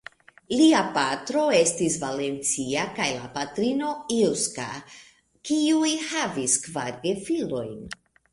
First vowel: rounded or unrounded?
unrounded